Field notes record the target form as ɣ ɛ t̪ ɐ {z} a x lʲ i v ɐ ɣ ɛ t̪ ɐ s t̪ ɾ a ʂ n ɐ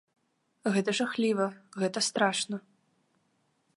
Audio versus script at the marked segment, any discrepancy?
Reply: yes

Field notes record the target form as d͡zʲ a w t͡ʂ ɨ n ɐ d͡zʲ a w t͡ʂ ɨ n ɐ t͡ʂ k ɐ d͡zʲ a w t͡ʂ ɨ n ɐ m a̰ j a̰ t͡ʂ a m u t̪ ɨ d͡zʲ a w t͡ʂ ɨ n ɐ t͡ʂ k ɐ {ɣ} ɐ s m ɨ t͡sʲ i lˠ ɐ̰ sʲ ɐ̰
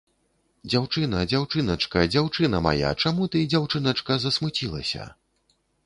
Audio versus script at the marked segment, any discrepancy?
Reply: yes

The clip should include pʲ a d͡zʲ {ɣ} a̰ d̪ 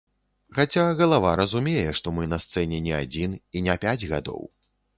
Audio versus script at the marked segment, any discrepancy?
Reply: no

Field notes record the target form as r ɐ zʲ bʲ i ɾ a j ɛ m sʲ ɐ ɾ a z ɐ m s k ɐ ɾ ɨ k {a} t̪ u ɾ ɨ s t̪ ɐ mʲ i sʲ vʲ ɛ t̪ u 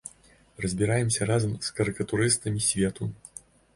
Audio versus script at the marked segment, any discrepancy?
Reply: yes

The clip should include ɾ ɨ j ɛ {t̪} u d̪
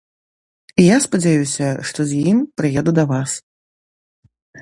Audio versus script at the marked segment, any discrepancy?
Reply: yes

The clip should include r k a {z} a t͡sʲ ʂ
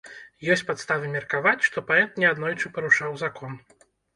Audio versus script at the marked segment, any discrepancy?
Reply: yes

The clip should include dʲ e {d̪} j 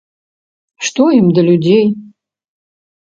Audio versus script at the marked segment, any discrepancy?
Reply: yes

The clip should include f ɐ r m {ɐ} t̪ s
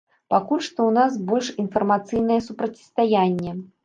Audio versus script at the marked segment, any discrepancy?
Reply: yes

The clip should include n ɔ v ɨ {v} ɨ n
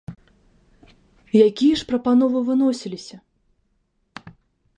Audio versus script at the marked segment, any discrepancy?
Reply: no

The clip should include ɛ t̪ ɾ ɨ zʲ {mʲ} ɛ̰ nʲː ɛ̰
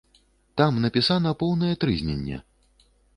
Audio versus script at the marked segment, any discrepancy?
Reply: yes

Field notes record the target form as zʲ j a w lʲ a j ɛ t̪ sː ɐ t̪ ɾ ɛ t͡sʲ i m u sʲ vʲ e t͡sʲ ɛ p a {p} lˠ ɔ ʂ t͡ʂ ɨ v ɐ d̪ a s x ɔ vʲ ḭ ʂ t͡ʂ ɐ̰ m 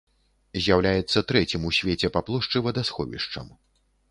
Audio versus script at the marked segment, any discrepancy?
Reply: no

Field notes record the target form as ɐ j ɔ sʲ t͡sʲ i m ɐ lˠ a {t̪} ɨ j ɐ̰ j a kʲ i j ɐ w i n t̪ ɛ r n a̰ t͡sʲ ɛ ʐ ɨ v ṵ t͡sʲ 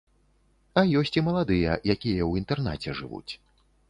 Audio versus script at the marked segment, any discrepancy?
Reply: yes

